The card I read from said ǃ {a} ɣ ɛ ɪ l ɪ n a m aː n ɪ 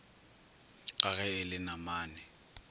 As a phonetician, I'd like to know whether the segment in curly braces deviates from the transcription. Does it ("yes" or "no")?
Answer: no